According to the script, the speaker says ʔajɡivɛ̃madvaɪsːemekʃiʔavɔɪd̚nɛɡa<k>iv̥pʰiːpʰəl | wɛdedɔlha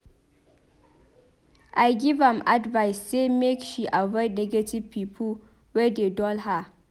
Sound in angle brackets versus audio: incorrect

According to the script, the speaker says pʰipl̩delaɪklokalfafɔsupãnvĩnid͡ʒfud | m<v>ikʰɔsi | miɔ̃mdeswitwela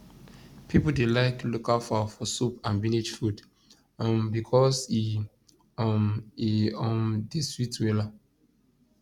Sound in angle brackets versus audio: incorrect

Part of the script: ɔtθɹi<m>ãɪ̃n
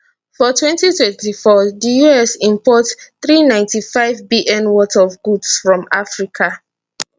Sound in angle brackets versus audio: incorrect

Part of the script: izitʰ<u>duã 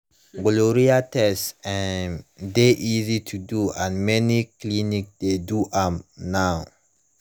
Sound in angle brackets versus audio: correct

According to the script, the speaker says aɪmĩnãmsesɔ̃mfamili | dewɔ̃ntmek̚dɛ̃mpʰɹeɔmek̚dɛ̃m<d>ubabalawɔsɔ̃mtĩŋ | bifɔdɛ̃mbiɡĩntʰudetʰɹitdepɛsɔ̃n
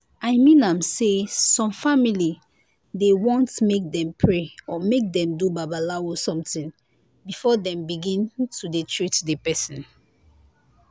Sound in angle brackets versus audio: correct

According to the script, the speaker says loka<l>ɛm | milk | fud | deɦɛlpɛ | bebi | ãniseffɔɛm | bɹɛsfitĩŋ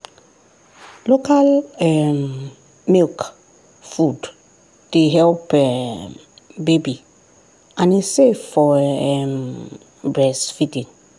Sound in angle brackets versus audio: correct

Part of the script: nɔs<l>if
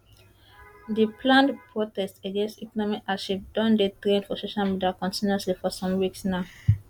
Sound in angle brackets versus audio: correct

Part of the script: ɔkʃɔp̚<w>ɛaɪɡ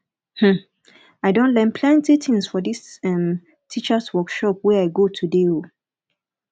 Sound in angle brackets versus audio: correct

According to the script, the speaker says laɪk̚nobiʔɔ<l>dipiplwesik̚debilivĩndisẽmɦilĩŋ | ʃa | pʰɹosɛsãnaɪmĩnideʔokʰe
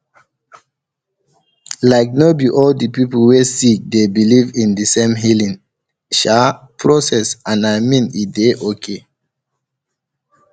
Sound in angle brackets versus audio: correct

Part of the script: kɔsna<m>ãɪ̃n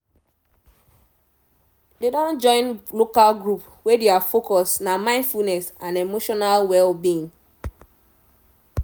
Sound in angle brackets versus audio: correct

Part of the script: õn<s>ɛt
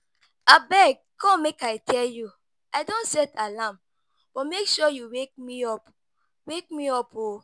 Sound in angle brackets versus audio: correct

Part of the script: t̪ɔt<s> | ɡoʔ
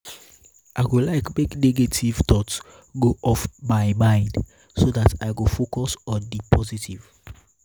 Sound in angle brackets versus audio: correct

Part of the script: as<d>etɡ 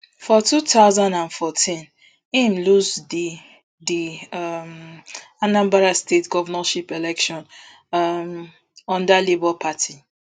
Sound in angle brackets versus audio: incorrect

